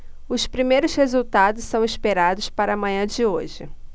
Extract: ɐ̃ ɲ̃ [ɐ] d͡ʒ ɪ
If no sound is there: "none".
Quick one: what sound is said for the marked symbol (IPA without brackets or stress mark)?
ɐ̃